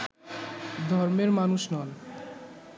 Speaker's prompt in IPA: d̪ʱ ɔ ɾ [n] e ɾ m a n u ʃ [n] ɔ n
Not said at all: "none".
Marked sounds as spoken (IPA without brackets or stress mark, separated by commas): m, n